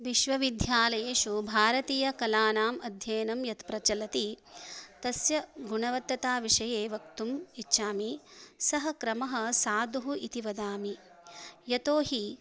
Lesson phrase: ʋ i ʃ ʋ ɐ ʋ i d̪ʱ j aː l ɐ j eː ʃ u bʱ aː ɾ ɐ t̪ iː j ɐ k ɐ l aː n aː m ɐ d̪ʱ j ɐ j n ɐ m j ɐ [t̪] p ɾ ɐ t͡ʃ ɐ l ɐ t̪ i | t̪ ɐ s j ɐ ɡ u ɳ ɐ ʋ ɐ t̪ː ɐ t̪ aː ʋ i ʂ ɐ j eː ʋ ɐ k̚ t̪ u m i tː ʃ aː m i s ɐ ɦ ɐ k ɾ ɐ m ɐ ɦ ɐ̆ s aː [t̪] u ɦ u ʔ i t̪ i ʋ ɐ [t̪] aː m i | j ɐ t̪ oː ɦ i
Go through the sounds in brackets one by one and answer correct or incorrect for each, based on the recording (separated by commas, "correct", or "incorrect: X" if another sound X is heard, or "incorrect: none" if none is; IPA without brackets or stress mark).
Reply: correct, incorrect: d̪, incorrect: d̪